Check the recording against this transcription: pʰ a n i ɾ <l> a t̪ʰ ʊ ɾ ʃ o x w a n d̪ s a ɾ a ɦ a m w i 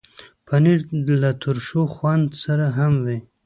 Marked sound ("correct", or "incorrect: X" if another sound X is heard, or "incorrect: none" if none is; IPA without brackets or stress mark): correct